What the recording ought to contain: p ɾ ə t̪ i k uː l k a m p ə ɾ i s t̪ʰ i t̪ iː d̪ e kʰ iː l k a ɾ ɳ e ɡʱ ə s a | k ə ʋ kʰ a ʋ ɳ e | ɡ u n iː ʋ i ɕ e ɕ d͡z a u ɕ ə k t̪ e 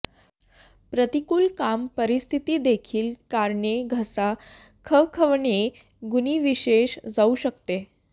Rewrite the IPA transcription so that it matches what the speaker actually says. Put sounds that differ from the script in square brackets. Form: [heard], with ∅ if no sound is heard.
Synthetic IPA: p ɾ ə t̪ i k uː l k a m p ə ɾ i s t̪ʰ i t̪ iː d̪ e kʰ iː l k a ɾ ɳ e ɡʱ ə s a | [kʰ] ə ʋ kʰ [ə] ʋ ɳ e | ɡ u n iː ʋ i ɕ e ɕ d͡z a u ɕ ə k t̪ e